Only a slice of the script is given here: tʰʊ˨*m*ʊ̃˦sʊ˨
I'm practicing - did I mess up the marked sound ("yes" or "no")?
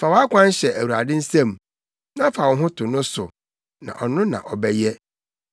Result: yes